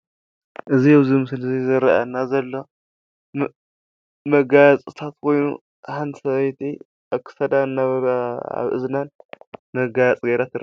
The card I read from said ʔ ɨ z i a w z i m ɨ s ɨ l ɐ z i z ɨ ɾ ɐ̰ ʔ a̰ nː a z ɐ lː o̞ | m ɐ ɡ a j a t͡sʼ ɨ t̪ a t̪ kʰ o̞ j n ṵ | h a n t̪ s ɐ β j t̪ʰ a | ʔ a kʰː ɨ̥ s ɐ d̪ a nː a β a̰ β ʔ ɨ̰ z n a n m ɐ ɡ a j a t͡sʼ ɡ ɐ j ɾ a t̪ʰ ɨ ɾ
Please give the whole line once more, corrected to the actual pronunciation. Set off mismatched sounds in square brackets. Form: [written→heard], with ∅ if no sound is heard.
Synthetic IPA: ʔ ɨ z i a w z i m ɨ s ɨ l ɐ z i z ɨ ɾ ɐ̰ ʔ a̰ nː a z ɐ lː o̞ | m ɐ ɡ a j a t͡sʼ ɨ [t̪→t̪ʰ] a t̪ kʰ o̞ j n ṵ | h a n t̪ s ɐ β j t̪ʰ [a→i] | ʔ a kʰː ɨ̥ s ɐ d̪ a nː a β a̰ β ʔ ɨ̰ z n a n m ɐ ɡ a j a t͡sʼ ɡ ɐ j ɾ a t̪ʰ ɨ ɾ

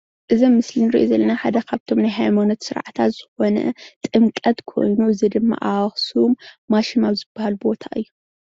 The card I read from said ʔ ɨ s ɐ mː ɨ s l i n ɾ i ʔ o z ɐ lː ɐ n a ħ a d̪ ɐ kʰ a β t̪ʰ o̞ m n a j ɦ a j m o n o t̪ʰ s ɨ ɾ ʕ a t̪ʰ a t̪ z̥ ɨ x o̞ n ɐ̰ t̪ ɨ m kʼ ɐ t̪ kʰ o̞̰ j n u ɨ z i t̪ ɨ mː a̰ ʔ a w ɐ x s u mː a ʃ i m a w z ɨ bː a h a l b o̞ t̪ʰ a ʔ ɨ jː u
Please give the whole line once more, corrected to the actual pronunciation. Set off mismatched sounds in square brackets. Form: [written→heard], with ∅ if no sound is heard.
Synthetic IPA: ʔ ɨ [s→z] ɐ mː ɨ s l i n ɾ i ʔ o z ɐ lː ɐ n a ħ a d̪ ɐ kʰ a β t̪ʰ o̞ m n a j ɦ a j m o n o [t̪ʰ→t̪] s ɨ ɾ ʕ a t̪ʰ a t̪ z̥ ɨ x o̞ n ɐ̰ [t̪→t̪ʼ] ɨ m kʼ ɐ t̪ kʰ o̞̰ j n u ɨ z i [t̪→d̪] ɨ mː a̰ ʔ a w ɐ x s u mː a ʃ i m a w z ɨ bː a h a l b o̞ t̪ʰ a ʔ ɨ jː u

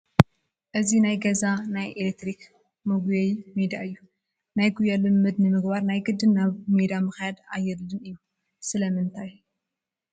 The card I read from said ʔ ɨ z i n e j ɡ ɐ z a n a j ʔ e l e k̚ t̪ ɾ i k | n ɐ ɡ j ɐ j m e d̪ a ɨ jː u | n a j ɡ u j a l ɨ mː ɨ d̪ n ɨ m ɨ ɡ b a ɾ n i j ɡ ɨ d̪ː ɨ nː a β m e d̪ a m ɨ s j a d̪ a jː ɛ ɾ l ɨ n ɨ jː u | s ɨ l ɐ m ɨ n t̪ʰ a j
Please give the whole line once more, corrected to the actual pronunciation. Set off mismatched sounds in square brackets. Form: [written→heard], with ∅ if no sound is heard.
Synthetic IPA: ʔ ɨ z i n [e→a] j ɡ ɐ z a n a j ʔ e l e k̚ t̪ ɾ i k | [n→m] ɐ ɡ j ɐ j m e d̪ a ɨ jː u | n a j ɡ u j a l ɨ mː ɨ d̪ n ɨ m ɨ ɡ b a ɾ n [i→a] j ɡ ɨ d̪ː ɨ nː a β m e d̪ a m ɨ [s→x] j a d̪ a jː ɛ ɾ l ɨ n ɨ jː u | s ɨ l ɐ m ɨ n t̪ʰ a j

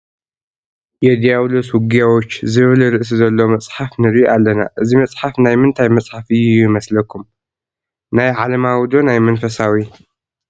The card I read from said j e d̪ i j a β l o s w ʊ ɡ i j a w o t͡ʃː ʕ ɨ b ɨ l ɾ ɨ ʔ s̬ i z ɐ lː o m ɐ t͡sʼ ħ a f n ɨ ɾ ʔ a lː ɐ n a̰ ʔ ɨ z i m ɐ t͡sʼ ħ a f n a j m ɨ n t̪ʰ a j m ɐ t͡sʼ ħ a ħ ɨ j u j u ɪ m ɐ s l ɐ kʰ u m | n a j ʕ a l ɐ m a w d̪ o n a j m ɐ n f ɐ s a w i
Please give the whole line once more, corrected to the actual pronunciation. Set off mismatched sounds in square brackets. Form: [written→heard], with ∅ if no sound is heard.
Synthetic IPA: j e d̪ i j a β l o s w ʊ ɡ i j a w o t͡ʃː [ʕ→z] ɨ [b→β] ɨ l ɾ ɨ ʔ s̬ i z ɐ lː o m ɐ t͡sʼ ħ a f n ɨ ɾ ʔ a lː ɐ n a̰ ʔ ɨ z i m ɐ t͡sʼ ħ a f n a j m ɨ n t̪ʰ a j m ɐ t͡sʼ ħ a [ħ→f] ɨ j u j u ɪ m ɐ s l ɐ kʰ u m | n a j ʕ a l ɐ m a w d̪ o n a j m ɐ n f ɐ s a w i

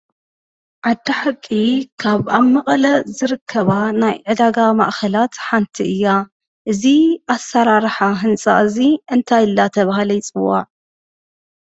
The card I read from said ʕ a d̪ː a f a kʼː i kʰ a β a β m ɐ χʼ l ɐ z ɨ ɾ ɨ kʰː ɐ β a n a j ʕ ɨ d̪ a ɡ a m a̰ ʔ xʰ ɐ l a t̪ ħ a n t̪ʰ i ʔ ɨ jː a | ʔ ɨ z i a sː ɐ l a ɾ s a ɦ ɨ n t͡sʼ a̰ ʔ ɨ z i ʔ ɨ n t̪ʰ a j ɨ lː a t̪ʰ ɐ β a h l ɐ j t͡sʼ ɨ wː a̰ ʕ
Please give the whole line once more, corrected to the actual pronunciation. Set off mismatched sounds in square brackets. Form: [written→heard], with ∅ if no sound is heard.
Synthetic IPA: ʕ a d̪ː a [f→ħ] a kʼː i kʰ a β a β m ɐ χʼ l ɐ z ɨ ɾ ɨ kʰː ɐ β a n a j ʕ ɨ d̪ a ɡ a m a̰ ʔ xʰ ɐ l a t̪ ħ a n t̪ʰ i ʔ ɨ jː a | ʔ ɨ z i a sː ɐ [l→ɾ] a ɾ [s→ħ] a ɦ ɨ n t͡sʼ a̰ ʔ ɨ z i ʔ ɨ n t̪ʰ a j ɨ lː a t̪ʰ ɐ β a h l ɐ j t͡sʼ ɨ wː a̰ ʕ

